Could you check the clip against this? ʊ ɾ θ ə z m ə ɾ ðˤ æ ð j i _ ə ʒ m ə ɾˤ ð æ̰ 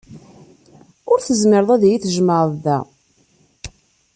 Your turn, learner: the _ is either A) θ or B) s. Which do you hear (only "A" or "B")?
A